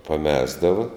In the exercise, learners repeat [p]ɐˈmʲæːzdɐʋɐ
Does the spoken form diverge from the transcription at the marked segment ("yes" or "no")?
no